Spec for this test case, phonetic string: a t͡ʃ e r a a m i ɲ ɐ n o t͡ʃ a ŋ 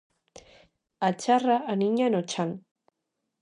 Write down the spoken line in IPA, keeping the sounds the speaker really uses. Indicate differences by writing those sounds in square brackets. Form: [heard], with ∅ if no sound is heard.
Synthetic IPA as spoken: a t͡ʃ [a] r a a [n] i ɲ [a] n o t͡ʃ a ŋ